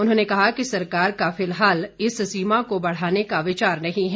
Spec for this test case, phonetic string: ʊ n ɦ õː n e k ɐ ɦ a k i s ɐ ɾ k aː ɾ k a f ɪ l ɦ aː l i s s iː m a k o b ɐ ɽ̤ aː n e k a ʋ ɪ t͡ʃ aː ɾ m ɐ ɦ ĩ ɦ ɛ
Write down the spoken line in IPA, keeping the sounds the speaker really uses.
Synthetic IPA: ʊ n ɦ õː n e k ɐ ɦ a k i s ɐ ɾ k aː ɾ k a f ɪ l ɦ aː l ɪ s s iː m a k o b ɐ ɽ̤ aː n e k a ʋ ɪ t͡ʃ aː ɾ n ɐ ɦ ĩ ɦ ɛ